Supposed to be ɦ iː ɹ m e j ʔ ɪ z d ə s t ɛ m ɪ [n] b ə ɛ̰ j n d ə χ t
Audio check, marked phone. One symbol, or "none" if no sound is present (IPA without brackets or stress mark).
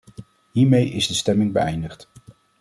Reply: ŋ